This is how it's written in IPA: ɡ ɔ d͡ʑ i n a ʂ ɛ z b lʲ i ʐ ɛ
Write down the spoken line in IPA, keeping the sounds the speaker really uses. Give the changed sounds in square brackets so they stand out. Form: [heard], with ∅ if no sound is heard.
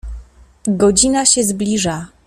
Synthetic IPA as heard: ɡ ɔ d͡ʑ i n a [ɕ] ɛ z b lʲ i ʐ [a]